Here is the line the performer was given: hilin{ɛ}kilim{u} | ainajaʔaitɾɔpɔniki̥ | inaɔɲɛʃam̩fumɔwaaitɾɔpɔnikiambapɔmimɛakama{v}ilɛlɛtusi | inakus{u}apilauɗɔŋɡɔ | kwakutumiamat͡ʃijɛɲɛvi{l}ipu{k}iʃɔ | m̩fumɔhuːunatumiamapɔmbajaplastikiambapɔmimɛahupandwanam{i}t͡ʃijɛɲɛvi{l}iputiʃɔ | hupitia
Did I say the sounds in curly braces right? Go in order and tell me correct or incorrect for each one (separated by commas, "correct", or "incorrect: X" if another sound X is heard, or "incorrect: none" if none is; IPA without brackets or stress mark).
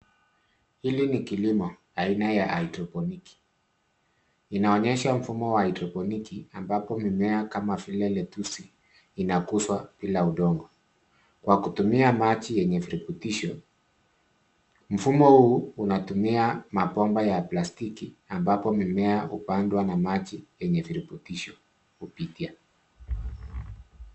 incorrect: i, incorrect: ɔ, incorrect: f, incorrect: w, incorrect: ɾ, incorrect: t, incorrect: a, incorrect: ɾ